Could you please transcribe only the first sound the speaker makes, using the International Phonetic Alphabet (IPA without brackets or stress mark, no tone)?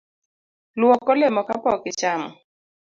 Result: l